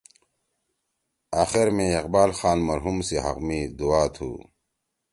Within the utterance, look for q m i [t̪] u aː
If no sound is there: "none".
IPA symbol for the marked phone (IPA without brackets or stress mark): d̪